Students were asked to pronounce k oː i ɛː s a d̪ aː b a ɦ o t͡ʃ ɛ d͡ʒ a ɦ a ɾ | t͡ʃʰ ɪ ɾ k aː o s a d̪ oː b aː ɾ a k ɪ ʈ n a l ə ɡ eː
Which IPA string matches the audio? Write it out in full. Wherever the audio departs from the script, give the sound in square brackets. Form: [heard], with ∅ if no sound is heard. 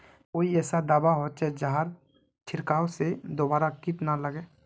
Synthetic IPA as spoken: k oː i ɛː s a d̪ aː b a ɦ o t͡ʃ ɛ d͡ʒ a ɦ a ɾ | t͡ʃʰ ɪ ɾ k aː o s [e] d̪ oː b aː ɾ a k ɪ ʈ n a l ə ɡ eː